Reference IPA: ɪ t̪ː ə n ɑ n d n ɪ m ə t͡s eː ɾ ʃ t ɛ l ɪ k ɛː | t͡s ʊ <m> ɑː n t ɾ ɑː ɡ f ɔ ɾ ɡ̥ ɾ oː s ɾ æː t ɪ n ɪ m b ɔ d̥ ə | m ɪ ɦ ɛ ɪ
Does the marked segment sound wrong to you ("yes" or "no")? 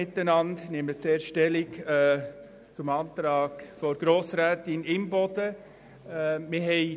no